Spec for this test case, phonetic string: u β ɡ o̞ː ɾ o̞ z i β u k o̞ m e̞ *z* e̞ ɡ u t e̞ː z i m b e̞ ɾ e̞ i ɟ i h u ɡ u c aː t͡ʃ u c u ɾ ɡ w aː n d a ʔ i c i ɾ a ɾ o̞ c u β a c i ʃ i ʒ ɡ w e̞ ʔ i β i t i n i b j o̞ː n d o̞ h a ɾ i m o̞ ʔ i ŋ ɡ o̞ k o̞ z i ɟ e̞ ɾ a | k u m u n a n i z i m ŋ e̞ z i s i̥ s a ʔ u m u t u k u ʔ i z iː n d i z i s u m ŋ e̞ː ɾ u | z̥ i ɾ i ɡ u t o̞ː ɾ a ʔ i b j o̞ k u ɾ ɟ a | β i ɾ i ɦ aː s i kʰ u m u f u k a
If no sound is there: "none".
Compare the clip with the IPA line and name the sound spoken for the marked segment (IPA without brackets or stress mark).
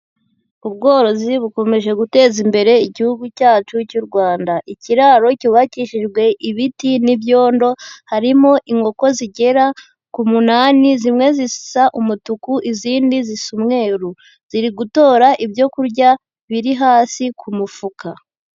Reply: ʒ